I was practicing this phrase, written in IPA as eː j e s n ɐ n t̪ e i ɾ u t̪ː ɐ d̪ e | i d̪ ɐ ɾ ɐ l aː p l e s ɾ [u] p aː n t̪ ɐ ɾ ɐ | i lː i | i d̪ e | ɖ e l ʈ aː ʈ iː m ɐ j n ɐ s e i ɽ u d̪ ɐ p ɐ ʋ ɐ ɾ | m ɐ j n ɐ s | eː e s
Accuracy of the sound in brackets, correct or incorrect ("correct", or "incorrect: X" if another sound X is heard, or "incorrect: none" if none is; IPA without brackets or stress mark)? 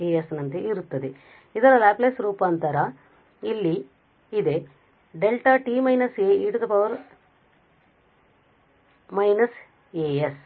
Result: incorrect: uː